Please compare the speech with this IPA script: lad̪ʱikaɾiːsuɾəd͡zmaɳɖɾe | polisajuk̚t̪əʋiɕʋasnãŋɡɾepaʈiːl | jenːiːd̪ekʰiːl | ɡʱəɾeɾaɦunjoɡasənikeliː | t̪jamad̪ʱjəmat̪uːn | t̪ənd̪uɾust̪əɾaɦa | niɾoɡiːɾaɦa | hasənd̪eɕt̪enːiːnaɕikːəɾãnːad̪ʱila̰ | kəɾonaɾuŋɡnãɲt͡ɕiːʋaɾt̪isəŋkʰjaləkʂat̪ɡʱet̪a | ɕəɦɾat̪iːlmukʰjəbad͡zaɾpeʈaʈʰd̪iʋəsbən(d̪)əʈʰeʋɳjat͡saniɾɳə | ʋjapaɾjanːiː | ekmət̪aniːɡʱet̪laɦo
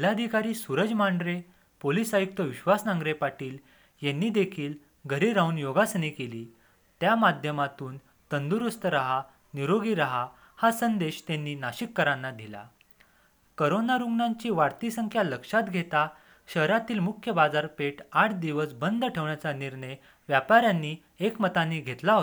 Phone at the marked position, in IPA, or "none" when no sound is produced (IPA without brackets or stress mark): d̪